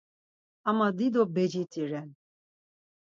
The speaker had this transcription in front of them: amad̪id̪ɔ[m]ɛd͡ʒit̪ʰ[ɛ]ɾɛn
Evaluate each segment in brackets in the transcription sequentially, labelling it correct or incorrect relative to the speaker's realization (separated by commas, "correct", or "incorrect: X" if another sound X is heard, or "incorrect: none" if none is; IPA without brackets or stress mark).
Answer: incorrect: b, incorrect: i